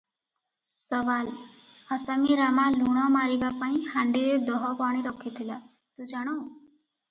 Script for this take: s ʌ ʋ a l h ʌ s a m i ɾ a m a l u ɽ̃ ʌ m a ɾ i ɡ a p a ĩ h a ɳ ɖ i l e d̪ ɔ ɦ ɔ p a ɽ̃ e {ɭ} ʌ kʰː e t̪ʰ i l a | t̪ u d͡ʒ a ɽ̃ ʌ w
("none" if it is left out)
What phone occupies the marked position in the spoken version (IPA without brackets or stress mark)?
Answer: ɾ